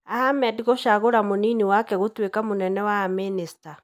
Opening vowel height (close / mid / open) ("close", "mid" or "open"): open